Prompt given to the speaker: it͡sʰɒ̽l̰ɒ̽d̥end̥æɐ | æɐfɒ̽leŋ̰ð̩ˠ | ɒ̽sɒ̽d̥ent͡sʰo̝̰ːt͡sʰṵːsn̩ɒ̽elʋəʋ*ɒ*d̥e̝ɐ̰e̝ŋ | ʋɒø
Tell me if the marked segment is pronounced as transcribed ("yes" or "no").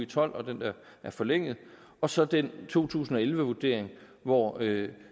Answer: no